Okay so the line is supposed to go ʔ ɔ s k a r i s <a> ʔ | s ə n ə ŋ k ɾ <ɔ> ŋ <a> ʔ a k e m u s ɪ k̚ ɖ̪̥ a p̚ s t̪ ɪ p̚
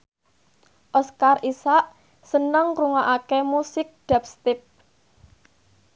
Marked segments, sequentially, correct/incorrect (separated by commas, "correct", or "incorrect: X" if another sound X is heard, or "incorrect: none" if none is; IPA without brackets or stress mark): correct, incorrect: u, correct